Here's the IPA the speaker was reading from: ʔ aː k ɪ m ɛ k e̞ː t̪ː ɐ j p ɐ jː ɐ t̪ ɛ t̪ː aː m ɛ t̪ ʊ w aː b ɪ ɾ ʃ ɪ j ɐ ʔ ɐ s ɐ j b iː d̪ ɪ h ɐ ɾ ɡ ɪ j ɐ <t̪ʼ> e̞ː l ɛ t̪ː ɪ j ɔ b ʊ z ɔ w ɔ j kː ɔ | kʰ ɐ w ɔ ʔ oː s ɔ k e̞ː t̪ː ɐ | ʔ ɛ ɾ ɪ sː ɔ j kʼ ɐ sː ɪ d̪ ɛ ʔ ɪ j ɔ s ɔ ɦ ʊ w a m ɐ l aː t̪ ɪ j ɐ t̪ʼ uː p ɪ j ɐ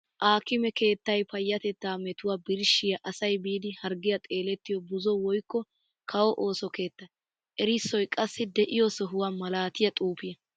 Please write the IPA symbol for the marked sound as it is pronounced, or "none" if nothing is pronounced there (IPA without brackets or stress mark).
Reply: t̪ʼ